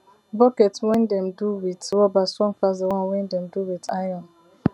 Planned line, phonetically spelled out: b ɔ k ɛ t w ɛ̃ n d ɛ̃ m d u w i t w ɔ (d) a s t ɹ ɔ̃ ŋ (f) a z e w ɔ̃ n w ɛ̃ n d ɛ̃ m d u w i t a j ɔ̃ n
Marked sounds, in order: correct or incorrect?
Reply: incorrect: b, correct

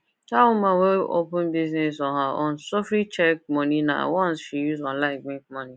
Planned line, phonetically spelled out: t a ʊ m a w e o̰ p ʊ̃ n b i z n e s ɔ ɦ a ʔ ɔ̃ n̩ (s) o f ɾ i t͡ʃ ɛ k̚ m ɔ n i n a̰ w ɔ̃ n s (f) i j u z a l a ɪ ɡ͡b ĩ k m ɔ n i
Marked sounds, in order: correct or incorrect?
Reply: correct, incorrect: ʃ

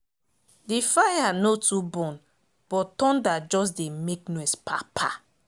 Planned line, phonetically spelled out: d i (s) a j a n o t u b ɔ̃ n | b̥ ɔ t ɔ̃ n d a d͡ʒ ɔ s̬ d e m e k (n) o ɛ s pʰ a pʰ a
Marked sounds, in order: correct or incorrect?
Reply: incorrect: f, correct

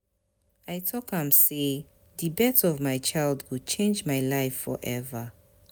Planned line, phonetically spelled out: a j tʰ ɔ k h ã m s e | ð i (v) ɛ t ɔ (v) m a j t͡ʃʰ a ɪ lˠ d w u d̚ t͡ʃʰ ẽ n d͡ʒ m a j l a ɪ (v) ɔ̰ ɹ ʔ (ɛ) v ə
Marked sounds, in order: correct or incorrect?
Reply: incorrect: b, correct, incorrect: f, correct

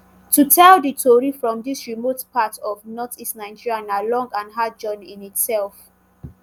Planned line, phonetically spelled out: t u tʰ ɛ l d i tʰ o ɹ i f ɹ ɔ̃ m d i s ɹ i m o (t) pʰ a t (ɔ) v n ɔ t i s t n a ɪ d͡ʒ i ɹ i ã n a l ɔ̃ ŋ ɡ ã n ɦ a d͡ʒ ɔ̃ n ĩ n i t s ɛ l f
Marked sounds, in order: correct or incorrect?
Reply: correct, correct

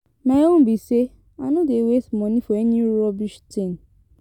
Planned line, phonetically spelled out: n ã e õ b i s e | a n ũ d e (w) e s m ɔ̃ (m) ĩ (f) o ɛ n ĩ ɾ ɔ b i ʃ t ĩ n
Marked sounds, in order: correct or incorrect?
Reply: correct, incorrect: n, correct

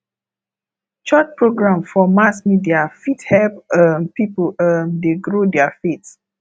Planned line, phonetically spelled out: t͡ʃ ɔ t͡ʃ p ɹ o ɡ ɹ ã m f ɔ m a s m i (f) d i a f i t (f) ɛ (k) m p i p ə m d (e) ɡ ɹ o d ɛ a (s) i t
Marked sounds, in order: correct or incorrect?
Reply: incorrect: none, incorrect: h, incorrect: p, correct, incorrect: f

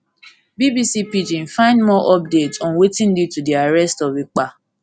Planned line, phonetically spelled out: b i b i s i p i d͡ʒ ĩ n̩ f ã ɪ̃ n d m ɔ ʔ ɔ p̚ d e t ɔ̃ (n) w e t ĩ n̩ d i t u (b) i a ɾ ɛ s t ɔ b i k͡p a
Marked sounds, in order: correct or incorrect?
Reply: correct, incorrect: d

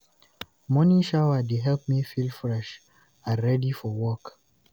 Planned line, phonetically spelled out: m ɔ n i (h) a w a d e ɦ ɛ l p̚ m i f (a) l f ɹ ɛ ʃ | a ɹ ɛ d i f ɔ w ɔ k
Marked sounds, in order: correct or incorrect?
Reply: incorrect: ʃ, incorrect: i

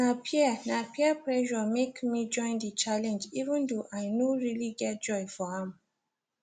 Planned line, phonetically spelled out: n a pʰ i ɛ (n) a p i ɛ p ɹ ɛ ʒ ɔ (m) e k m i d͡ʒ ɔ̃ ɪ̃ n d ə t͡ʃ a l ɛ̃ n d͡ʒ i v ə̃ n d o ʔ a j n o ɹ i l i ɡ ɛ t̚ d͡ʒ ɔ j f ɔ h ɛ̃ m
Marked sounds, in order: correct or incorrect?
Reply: correct, correct

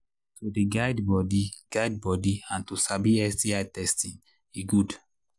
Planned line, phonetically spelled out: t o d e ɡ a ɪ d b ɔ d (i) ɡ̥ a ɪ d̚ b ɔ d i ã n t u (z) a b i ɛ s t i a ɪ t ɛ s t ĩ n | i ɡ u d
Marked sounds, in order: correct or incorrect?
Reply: correct, incorrect: s

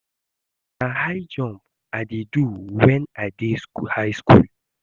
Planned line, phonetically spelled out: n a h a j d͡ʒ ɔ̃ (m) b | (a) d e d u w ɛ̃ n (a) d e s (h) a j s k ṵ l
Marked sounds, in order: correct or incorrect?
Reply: correct, correct, correct, correct

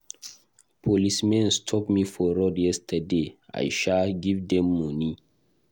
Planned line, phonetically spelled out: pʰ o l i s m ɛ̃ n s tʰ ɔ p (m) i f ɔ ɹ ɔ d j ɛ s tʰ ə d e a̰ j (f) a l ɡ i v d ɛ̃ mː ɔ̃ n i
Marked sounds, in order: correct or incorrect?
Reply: correct, incorrect: ʃ

